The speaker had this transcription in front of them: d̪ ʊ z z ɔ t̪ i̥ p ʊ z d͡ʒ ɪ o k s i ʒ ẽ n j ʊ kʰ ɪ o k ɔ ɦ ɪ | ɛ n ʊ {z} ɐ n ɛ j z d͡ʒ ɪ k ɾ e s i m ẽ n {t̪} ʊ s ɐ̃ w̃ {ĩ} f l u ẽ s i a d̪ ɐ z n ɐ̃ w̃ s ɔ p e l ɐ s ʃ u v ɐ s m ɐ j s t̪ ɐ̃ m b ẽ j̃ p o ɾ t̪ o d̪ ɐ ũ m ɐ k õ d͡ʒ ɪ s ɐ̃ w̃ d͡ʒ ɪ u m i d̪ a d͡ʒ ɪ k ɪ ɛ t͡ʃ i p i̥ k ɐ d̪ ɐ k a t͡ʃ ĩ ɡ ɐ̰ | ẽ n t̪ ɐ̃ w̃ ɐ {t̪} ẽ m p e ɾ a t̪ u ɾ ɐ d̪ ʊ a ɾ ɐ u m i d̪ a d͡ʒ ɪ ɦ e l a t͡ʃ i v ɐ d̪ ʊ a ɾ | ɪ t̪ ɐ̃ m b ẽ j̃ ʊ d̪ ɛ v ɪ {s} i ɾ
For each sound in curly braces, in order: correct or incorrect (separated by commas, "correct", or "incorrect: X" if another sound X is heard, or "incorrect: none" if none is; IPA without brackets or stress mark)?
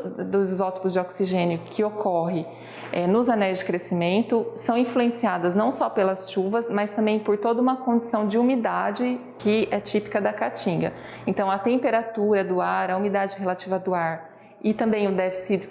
correct, correct, correct, correct, correct